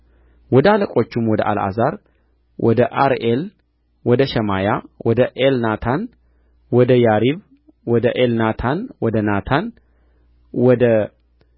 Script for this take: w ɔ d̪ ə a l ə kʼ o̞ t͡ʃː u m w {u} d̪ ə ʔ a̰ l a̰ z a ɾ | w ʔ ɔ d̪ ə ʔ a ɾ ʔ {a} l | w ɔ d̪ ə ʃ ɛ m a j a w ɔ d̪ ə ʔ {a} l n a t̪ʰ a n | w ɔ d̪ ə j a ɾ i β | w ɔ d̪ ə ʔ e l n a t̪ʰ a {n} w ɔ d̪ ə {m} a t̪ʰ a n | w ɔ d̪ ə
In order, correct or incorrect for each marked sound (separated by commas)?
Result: incorrect, incorrect, incorrect, correct, incorrect